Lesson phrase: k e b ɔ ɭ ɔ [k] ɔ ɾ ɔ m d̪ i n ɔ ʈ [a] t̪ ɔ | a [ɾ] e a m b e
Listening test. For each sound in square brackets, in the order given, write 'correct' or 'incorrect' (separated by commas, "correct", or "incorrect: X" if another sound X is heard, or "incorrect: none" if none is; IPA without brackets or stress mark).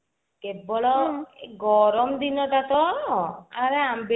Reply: incorrect: ɡ, correct, correct